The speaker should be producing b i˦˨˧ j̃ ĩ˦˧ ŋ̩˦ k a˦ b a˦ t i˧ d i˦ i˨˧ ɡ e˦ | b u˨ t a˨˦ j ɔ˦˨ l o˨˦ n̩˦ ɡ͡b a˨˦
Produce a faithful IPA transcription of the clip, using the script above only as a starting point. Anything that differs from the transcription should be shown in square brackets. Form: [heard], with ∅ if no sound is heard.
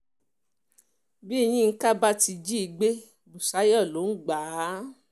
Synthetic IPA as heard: b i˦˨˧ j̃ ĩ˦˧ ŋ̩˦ k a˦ b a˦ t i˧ [d͡ʒ] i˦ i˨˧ [ɡ͡b] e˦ | b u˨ [s] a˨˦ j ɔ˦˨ l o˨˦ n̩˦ ɡ͡b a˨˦